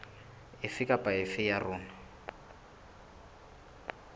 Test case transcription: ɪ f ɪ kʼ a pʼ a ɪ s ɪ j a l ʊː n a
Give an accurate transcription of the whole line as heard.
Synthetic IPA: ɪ f ɪ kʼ a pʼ a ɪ f ɪ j a r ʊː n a